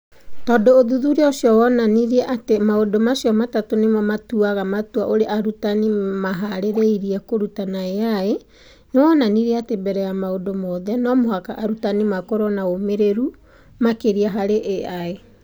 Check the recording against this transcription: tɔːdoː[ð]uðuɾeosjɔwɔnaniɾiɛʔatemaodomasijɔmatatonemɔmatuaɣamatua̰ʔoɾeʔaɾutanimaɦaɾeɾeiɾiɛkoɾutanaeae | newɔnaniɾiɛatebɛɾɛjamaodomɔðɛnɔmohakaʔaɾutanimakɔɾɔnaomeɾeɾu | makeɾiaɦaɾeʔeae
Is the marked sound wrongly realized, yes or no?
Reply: no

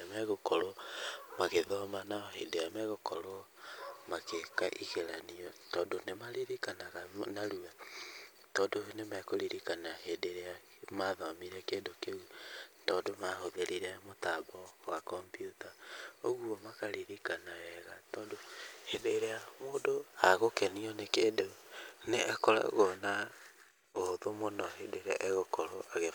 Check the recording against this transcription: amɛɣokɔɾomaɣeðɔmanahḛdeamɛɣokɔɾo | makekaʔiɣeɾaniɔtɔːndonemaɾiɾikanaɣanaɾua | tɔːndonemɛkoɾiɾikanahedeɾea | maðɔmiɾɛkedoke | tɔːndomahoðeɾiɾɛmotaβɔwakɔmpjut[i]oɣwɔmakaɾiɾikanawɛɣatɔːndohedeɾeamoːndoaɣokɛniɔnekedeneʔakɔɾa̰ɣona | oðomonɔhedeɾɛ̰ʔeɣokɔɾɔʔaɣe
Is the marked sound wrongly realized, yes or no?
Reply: yes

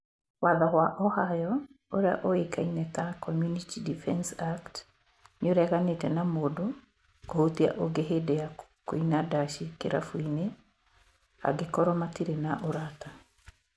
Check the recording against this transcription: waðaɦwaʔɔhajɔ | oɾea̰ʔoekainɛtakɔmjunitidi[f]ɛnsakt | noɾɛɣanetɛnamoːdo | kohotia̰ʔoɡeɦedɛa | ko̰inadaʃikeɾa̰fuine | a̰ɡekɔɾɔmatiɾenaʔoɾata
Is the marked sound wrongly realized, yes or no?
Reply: no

